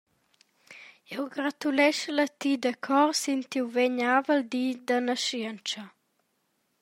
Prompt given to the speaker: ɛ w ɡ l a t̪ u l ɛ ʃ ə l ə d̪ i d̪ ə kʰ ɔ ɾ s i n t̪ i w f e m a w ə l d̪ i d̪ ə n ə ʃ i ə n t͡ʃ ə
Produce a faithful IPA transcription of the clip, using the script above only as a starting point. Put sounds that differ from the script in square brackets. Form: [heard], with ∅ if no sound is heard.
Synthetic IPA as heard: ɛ w ɡ [ɾ] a t̪ u l ɛ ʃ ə l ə [t̪] i d̪ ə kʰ ɔ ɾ s i n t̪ i w [v] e [ɲ] a [v] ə l d̪ i d̪ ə n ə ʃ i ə n t͡ʃ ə